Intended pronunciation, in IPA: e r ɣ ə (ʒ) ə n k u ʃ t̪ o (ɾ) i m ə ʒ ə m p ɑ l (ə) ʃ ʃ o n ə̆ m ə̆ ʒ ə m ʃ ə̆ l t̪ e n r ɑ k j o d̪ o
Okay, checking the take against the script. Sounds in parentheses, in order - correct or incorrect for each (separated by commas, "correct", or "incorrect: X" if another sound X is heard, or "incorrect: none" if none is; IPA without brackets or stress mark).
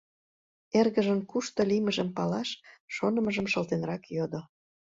correct, incorrect: l, incorrect: ɑ